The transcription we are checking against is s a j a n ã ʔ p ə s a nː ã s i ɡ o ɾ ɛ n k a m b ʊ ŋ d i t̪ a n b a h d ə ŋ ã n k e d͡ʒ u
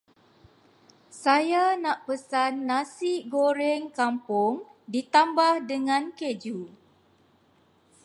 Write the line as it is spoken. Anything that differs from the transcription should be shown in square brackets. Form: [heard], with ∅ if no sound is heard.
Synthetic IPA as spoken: s a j a n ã ʔ p ə s a nː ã s i ɡ o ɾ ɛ [ŋ] k a m [p] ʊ ŋ d i t̪ a [m] b a h d ə ŋ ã n k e d͡ʒ u